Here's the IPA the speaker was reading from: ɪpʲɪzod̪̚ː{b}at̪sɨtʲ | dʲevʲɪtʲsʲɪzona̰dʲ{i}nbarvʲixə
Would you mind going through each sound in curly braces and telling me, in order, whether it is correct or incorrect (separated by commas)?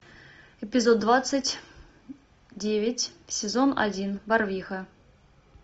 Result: incorrect, correct